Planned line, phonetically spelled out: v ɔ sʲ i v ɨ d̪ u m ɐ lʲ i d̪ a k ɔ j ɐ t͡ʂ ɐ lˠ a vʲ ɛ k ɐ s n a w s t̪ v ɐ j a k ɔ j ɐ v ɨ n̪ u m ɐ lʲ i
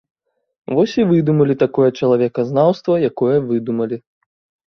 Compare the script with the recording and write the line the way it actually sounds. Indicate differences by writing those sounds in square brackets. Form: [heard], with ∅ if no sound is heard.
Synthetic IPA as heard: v ɔ sʲ i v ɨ d̪ u m ɐ lʲ i [t̪] a k ɔ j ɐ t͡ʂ ɐ lˠ a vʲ ɛ k ɐ [z] n a w s t̪ v ɐ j a k ɔ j ɐ v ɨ [d̪] u m ɐ lʲ i